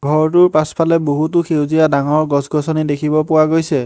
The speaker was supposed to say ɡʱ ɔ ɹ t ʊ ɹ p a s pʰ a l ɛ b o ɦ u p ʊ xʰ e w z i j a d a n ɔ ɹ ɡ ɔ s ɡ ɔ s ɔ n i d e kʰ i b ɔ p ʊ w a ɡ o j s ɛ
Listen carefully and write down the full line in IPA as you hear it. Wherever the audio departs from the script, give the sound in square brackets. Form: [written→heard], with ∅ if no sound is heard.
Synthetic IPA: ɡʱ ɔ ɹ t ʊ ɹ p a s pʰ a l ɛ b o ɦ u [p→t] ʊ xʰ e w z i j a d a [n→ŋ] ɔ ɹ ɡ ɔ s ɡ ɔ s ɔ n i d e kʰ i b ɔ p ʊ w a ɡ o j s ɛ